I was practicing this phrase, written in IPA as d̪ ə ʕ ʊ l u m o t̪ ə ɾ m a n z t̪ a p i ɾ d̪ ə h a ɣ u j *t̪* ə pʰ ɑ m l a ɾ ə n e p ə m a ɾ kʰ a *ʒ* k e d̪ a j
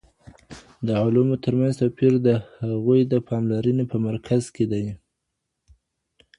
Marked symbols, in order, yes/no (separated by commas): no, no